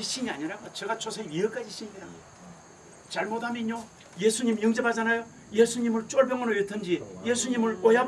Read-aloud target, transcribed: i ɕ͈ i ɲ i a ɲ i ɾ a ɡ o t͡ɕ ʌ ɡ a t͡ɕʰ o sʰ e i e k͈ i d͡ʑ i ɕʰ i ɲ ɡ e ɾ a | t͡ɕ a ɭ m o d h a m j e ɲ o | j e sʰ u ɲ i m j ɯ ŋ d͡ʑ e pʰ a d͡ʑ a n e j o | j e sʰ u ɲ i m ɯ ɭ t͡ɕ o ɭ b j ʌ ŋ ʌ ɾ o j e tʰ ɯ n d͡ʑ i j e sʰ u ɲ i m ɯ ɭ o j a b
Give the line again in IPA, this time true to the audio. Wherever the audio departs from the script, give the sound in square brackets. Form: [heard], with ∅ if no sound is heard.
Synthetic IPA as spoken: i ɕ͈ i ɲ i a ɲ i ɾ a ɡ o t͡ɕ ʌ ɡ a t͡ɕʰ o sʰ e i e k͈ [a] d͡ʑ i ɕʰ i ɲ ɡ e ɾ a | t͡ɕ a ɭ m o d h a m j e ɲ o | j e sʰ u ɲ i m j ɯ ŋ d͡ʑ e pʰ a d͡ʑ a n [a] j o | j e sʰ u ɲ i m ɯ ɭ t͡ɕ o ɭ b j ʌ ŋ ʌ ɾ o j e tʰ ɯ n d͡ʑ i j e sʰ u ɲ i m ɯ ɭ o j a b